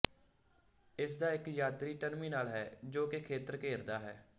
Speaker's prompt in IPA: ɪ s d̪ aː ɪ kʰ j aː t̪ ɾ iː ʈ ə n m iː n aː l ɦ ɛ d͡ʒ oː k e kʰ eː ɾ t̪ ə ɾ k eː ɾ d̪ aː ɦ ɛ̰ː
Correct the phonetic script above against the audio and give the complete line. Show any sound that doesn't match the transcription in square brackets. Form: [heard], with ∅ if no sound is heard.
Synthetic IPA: ɪ s d̪ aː ɪ [k] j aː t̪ ɾ iː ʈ ə n m iː n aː l ɦ [ɛː] d͡ʒ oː k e kʰ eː [∅] t̪ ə ɾ k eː ɾ d̪ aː ɦ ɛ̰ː